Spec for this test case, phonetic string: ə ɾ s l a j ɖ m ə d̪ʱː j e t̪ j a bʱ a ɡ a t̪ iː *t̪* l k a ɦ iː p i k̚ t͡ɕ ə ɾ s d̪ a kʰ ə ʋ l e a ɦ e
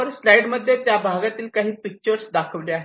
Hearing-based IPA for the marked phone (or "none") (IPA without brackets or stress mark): none